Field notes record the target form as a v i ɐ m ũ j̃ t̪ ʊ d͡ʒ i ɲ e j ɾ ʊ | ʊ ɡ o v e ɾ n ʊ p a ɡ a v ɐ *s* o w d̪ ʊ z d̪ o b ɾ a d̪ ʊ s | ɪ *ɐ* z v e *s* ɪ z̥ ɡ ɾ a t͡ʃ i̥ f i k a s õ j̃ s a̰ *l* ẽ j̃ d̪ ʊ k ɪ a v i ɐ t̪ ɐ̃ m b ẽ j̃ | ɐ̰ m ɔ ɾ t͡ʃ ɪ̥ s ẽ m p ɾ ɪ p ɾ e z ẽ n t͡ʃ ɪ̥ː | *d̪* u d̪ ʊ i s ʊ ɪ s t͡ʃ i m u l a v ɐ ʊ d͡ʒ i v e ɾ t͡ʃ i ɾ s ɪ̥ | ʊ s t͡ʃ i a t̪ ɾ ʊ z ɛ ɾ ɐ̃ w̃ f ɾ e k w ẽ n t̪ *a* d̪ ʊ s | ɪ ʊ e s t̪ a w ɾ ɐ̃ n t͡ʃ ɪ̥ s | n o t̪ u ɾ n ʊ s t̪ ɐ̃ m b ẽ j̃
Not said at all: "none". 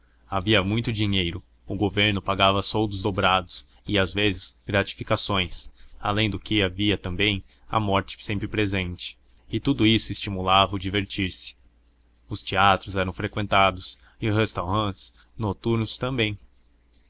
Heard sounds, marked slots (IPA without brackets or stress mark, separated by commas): s, a, z, l, t̪, a